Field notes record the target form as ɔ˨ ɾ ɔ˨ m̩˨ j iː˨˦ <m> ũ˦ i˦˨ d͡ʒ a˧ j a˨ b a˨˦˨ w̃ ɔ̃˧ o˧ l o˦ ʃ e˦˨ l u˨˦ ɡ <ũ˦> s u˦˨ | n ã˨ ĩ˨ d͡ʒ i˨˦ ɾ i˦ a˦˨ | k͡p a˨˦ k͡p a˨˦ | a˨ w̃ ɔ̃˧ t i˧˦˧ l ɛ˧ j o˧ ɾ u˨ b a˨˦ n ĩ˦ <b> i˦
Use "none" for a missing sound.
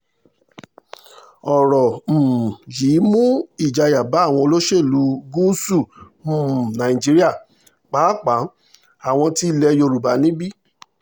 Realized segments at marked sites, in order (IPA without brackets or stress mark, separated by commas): m, u˦, b